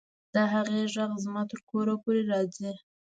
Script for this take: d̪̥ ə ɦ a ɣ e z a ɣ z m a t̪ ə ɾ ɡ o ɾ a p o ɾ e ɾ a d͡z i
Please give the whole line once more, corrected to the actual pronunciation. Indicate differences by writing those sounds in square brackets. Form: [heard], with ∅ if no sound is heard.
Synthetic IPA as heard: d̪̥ ə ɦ a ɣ e [ʒ] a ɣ z m [ɑ] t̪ ə ɾ [k] o ɾ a p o ɾ e ɾ [ɑ] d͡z i

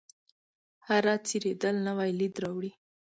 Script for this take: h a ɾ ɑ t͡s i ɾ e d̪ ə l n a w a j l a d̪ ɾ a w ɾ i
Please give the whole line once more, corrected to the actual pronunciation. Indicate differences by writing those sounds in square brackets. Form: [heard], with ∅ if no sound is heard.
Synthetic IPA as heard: h a ɾ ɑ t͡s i ɾ e d̪ ə l n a w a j l [i] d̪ ɾ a w [ɽ] i

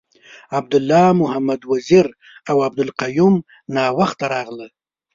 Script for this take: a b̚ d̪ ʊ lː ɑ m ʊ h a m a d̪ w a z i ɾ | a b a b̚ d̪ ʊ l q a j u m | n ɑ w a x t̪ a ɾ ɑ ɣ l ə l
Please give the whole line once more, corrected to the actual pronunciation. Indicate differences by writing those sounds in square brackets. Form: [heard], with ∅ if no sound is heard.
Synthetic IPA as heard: a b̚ d̪ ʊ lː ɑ m ʊ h a m a d̪ w a z i ɾ | a [w] a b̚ d̪ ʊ l q a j u m | n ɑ w a x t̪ a ɾ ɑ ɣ l ə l

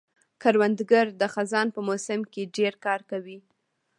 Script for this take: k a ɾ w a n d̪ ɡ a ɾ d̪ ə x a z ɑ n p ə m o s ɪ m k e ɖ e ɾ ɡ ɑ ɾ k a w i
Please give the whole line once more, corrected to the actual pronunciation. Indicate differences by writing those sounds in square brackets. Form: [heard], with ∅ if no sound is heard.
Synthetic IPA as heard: k a ɾ w a n d̪ ɡ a ɾ d̪ ə x a z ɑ n p ə m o s ɪ m k e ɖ e ɾ [k] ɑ ɾ k a w i

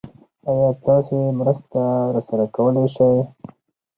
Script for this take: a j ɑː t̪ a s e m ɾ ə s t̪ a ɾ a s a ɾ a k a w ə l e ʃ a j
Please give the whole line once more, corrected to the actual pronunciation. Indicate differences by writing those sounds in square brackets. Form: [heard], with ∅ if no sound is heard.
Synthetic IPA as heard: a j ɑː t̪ [ɑ] s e m ɾ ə s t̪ a ɾ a s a ɾ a k a w ə l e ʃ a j

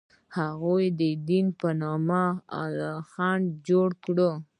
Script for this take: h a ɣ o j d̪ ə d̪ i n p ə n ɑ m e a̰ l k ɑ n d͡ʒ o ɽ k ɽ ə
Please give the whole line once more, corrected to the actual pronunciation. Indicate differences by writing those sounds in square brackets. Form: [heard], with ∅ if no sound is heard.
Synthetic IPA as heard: h a ɣ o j d̪ ə d̪ i n p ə n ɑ m [a] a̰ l [x] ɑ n d͡ʒ o ɽ k ɽ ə

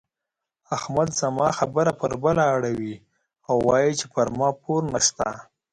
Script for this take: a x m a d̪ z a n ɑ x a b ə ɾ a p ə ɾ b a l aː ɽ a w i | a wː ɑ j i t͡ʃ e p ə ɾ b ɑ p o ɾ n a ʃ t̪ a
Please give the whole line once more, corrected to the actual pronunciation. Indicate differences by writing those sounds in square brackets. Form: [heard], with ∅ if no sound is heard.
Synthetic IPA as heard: a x m a d̪ z a [m] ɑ x a b ə ɾ a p ə ɾ b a l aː ɽ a w i | a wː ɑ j i t͡ʃ e p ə ɾ [m] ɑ p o ɾ n a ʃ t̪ a

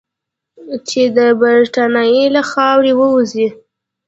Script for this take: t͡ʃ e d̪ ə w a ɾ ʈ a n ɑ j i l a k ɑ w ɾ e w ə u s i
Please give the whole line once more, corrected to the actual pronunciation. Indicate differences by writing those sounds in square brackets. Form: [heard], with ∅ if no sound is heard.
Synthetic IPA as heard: t͡ʃ e d̪ ə [b] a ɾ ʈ a n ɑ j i l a [x] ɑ w ɾ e w ə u [z] i

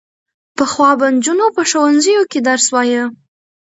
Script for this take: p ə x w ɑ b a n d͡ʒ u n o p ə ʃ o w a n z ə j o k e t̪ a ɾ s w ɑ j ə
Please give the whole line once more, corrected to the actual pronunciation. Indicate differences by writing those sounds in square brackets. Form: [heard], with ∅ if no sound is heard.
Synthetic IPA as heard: p ə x w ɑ b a n d͡ʒ u n o p ə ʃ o w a n z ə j o k e [d̪] a ɾ s w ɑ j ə

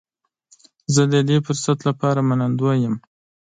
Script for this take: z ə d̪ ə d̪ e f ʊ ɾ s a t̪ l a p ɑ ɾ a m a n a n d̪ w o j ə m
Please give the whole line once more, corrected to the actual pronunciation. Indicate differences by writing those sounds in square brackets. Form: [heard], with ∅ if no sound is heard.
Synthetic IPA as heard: z ə d̪ ə d̪ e f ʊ ɾ s a t̪ l a p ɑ ɾ a m a n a n d̪ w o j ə m

